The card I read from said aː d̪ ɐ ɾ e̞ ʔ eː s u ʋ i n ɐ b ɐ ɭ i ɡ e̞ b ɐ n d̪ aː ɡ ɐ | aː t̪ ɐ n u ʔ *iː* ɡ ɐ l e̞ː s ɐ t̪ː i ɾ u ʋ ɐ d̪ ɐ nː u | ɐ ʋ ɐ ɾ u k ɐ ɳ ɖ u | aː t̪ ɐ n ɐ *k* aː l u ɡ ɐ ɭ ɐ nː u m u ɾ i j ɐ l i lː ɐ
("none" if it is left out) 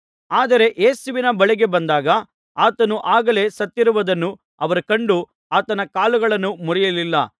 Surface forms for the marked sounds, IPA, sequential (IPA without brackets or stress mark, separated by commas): aː, k